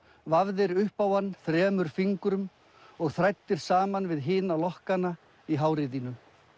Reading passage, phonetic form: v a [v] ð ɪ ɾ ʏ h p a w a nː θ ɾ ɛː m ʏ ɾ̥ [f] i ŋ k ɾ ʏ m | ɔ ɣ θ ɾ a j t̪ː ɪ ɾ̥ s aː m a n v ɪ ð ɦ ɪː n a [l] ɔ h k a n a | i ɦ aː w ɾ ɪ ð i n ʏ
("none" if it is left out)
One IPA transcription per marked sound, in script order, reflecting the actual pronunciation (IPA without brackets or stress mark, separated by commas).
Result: v, f, l